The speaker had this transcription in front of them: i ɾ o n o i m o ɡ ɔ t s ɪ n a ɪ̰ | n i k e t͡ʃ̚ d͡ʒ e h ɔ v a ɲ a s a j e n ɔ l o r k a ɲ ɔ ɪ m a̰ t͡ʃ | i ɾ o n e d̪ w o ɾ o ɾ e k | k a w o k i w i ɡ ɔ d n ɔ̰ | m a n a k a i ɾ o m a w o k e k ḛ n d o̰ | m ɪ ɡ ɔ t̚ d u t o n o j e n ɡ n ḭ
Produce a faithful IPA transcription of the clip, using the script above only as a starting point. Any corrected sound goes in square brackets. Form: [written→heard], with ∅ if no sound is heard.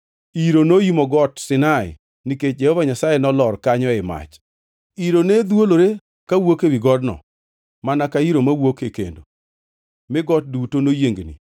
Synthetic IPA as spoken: i ɾ o n o i m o ɡ ɔ t s ɪ n a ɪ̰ | n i k e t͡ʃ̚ d͡ʒ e h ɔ v a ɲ a s a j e n ɔ l [o→ɔ] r k a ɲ ɔ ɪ m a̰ t͡ʃ | i ɾ o n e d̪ w o [ɾ→l] o ɾ e [k→∅] | k a w o k [i→e] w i ɡ ɔ d n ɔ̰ | m a n a k a i ɾ o m a w o k e k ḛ n d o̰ | m ɪ ɡ ɔ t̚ d u t o n o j e [n→ŋ] ɡ n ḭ